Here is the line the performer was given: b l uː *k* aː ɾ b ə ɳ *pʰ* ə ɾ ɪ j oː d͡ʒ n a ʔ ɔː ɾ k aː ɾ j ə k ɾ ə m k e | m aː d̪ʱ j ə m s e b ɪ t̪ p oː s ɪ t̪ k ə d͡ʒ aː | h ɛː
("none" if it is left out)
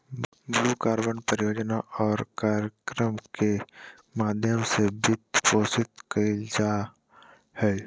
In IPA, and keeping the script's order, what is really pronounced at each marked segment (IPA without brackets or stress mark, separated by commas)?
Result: k, p